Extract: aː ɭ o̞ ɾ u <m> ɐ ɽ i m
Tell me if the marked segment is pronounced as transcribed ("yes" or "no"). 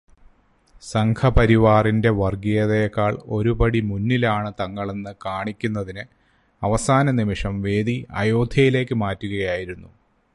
no